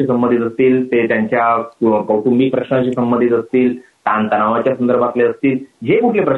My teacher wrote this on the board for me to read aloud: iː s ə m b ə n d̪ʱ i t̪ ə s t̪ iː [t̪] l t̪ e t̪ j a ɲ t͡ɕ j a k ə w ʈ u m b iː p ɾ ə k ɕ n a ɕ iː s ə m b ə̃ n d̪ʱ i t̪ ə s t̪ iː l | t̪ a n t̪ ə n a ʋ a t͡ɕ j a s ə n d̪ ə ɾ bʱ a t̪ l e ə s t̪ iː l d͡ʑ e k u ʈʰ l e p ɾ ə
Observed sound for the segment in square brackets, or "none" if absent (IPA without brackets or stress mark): none